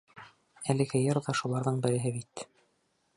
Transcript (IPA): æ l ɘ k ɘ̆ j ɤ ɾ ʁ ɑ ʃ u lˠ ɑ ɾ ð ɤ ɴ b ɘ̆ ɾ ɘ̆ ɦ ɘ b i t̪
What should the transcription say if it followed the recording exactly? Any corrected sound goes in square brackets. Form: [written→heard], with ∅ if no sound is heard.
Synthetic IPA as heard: æ l ɘ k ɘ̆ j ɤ ɾ [ʁ→ð] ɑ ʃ u lˠ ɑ ɾ ð ɤ ɴ b ɘ̆ ɾ ɘ̆ ɦ ɘ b i t̪